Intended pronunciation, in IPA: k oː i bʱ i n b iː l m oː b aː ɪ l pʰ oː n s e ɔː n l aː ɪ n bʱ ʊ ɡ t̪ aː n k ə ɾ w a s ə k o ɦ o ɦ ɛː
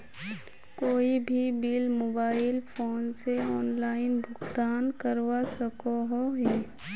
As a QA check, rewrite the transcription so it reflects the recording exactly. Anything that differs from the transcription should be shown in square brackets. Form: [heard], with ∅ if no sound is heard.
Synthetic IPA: k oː i bʱ i [∅] b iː l m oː b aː ɪ l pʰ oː n s e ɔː n l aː ɪ n bʱ ʊ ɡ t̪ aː n k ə ɾ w a s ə k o ɦ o ɦ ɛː

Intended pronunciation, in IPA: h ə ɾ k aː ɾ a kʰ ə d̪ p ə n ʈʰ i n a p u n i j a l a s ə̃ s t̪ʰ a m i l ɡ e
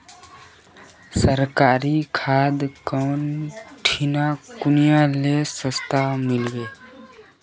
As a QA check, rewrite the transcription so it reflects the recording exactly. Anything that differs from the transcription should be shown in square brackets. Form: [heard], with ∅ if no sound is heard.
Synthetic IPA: [s] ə ɾ k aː ɾ [i] kʰ [a] d̪ [k] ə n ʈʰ i n a [k] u n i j a l [e] s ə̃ s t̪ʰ a m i l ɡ e

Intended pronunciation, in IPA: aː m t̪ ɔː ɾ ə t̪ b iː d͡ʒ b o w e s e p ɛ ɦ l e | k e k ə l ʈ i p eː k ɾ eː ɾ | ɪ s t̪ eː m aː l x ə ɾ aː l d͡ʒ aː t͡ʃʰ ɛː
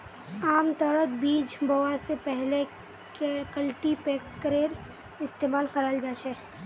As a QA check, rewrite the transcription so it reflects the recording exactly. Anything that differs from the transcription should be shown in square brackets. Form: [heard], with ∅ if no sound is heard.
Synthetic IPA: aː m t̪ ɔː ɾ ə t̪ b iː d͡ʒ b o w [a] s e p ɛ ɦ l e | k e k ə l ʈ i p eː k ɾ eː ɾ | ɪ s t̪ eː m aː l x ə ɾ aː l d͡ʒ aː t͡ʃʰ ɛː

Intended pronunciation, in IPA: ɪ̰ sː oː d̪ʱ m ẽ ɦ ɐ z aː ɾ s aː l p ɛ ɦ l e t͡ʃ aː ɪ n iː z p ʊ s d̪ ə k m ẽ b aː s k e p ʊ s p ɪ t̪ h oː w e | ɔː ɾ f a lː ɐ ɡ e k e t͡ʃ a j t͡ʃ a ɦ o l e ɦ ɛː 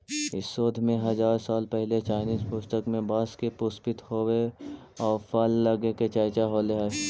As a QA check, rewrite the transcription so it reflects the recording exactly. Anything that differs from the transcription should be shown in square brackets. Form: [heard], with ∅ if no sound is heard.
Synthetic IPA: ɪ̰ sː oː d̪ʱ m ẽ ɦ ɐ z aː ɾ s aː l p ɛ ɦ l e t͡ʃ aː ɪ n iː z p ʊ s [t̪] ə k m ẽ b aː s k e p ʊ s p ɪ t̪ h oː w e | ɔː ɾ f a lː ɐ ɡ e k e t͡ʃ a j t͡ʃ a ɦ o l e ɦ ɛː

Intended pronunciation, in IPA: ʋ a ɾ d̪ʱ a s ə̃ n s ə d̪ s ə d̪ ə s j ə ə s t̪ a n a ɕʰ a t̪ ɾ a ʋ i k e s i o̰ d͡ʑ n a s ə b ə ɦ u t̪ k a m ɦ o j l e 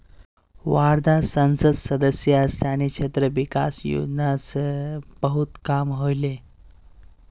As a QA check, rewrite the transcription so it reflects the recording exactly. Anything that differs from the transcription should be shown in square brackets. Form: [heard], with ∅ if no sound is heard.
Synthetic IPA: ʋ a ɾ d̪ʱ a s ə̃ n s ə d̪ s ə d̪ ə s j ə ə s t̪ a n [i] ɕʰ [e] t̪ ɾ [ə] ʋ i k [a] s [j] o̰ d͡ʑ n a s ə b ə ɦ u t̪ k a m ɦ o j l e

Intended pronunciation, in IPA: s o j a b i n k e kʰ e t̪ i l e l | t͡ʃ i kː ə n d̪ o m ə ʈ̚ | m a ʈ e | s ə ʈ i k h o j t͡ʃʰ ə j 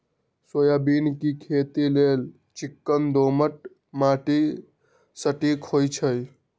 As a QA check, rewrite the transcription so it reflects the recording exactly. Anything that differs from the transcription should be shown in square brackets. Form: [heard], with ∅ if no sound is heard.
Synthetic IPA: s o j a b i n k [i] kʰ e t̪ i l e l | t͡ʃ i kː ə n d̪ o m ə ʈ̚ | m a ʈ [i] | s ə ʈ i k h o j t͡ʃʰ ə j

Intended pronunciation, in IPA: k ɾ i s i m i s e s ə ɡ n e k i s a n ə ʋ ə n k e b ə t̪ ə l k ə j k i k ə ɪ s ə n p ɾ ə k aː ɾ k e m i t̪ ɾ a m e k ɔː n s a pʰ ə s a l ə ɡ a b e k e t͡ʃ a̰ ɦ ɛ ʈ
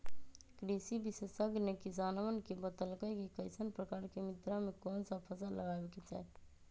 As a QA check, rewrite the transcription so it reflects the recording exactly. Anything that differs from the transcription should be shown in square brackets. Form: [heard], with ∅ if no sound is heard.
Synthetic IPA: k ɾ i s i [b] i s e s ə ɡ n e k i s a n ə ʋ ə n k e b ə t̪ ə l k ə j k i k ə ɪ s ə n p ɾ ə k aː ɾ k e m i t̪ ɾ a m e k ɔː n s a pʰ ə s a l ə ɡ a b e k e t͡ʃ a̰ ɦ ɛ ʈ

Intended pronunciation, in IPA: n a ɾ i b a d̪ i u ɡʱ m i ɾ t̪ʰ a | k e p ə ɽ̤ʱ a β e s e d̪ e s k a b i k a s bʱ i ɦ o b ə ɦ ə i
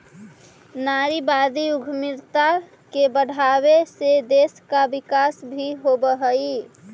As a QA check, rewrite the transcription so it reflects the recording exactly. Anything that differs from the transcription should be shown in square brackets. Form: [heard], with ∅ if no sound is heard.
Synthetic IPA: n a ɾ i b a d̪ i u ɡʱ m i ɾ [t̪] a | k e [b] ə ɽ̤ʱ a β e s e d̪ e s k a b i k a s bʱ i ɦ o b ə ɦ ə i

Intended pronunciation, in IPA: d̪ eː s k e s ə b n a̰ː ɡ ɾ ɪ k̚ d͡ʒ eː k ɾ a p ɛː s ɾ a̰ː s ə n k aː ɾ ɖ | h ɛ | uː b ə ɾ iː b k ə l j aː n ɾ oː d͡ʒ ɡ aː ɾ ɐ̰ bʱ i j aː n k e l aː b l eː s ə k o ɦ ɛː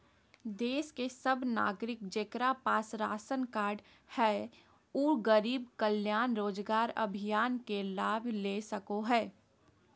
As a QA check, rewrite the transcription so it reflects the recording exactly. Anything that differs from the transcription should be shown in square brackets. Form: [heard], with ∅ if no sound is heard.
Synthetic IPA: d̪ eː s k e s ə b n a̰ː ɡ ɾ ɪ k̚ d͡ʒ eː k ɾ a p [aː] s ɾ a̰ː s ə n k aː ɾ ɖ | h ɛ | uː [ɡ] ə ɾ iː b k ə l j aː n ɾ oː d͡ʒ ɡ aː ɾ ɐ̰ bʱ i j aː n k e l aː b l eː s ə k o ɦ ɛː

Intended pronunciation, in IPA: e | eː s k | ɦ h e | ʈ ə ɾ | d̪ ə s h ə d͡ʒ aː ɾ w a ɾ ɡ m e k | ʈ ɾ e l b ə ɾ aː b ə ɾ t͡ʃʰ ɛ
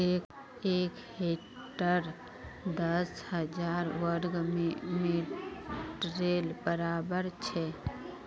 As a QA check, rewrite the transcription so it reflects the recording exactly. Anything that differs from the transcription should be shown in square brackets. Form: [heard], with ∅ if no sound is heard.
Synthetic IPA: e | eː [∅] k | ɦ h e | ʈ ə ɾ | d̪ ə s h ə d͡ʒ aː ɾ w [ə] ɾ ɡ m e [∅] | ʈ ɾ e l b ə ɾ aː b ə ɾ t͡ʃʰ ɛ

